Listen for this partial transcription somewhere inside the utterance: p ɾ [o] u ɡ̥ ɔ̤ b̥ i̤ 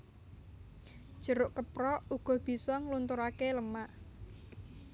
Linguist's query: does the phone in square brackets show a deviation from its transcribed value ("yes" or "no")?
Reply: yes